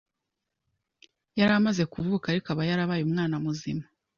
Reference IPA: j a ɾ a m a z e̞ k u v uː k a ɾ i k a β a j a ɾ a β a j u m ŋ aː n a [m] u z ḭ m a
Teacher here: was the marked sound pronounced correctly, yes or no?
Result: yes